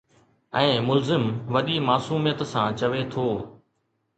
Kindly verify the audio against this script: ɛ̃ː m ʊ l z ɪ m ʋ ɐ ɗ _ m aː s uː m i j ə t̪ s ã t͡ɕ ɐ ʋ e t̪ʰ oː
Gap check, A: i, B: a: A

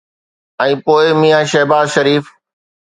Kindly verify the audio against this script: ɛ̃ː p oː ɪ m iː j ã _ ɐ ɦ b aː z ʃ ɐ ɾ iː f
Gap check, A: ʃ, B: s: A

